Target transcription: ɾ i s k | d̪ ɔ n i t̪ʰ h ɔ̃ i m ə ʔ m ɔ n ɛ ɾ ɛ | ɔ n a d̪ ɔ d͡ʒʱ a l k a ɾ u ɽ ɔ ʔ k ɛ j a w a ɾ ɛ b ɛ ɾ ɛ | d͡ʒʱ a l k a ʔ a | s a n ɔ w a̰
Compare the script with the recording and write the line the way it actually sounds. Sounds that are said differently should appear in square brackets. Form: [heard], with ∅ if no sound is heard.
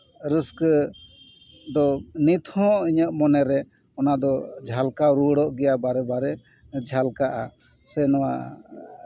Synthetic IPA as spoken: ɾ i s k | d̪ ɔ n i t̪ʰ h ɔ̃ i [ɲ] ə ʔ m ɔ n ɛ ɾ ɛ | ɔ n a d̪ ɔ d͡ʒʱ a l k a ɾ u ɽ ɔ ʔ [ɡ] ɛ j a [b] a ɾ ɛ b [a] ɾ ɛ | d͡ʒʱ a l k a ʔ a | s [ɛ] n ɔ w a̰